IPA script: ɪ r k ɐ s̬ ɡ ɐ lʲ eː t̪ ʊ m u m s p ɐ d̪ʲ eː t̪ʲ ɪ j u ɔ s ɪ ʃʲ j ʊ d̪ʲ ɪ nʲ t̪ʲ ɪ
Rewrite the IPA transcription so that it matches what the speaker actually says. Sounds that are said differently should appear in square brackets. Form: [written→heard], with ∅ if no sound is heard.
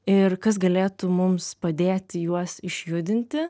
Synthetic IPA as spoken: ɪ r k ɐ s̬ ɡ ɐ lʲ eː t̪ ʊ m [u→ʊ] m s p ɐ d̪ʲ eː t̪ʲ ɪ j u ɔ s ɪ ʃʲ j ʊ d̪ʲ ɪ nʲ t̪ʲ ɪ